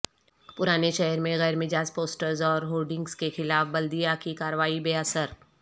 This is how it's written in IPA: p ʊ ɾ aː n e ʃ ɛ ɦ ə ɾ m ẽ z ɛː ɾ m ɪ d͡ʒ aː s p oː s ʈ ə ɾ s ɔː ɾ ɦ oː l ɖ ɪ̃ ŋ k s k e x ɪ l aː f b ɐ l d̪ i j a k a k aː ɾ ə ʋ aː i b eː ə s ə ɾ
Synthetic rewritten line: p ʊ ɾ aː n e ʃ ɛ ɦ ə ɾ m ẽ ɣ ɛː ɾ m ɪ d͡ʒ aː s p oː s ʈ ə ɾ z ɔː ɾ ɦ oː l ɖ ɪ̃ ŋ ɡ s k e x ɪ l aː f b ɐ l d̪ i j a k i k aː ɾ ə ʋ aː i b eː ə s ə ɾ

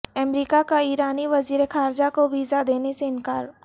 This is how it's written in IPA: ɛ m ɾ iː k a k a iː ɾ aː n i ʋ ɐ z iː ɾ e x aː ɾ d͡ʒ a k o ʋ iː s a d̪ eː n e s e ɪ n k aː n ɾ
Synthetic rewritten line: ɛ m ɾ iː k a k a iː ɾ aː n i ʋ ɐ z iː ɾ e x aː ɾ d͡ʒ a k o ʋ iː z a d̪ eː n e s e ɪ n k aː ɾ

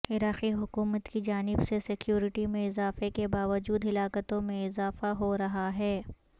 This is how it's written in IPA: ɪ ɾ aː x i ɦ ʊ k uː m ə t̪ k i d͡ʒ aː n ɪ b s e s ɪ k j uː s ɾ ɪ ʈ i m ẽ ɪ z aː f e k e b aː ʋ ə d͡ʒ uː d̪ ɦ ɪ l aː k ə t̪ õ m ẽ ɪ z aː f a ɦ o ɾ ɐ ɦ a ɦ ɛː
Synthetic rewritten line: ɪ ɾ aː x i ɦ ʊ k uː m ə t̪ k i d͡ʒ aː n ɪ b s e s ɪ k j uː ɾ ɪ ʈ i m ẽ ɪ z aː f e k e b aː ʋ ə d͡ʒ uː d̪ ɦ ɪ l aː k ə t̪ õ m ẽ ɪ z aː f a ɦ o ɾ ɐ ɦ a ɦ ɛː

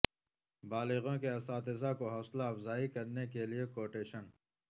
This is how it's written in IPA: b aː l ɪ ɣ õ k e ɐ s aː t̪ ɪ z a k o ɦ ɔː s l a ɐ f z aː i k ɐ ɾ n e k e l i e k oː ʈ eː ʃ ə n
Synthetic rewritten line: b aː l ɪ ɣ õ k e ɐ s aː t̪ ɪ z a k o ɦ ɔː s l a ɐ f z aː i k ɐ ɾ n e k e l i e k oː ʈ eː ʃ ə n

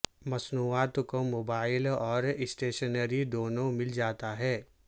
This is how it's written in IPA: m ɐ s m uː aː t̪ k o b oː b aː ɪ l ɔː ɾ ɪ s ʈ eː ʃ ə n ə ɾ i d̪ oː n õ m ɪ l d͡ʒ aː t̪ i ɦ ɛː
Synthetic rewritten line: m ɐ s n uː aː t̪ k o m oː b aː ɪ l ɔː ɾ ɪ s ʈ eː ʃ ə n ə ɾ i d̪ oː n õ m ɪ l d͡ʒ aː t̪ a ɦ ɛː

